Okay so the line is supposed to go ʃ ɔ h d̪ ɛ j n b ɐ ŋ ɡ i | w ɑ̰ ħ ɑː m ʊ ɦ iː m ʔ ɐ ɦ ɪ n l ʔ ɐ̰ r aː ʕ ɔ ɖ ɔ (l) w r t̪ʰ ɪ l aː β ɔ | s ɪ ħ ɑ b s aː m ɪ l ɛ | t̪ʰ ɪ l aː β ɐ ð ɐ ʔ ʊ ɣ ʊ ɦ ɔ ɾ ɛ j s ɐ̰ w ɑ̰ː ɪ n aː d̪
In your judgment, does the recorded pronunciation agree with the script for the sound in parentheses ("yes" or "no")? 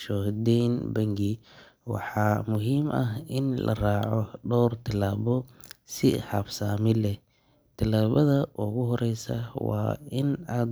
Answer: no